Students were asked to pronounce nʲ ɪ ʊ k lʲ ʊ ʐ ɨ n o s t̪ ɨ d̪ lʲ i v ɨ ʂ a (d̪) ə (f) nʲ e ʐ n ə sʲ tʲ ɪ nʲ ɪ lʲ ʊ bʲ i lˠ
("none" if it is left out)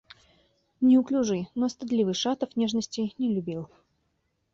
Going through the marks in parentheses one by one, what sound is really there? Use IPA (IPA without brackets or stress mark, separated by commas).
t̪, f